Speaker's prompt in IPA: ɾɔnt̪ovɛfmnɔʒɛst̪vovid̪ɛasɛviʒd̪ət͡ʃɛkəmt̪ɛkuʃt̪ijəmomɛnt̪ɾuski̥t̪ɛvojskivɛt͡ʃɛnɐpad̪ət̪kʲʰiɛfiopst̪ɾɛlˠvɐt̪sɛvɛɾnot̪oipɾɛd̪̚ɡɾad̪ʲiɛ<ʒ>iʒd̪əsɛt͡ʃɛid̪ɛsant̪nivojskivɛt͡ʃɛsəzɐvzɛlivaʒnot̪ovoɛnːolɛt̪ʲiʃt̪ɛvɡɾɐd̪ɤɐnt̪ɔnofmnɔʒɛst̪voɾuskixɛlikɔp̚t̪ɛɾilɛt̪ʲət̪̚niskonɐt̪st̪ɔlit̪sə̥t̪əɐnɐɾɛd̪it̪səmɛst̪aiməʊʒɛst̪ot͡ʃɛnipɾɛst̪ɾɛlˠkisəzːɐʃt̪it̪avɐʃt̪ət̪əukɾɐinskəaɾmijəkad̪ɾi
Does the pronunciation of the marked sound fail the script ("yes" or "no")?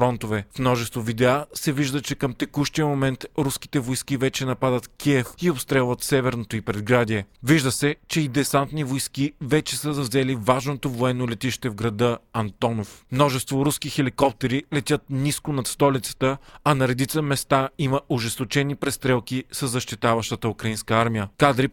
yes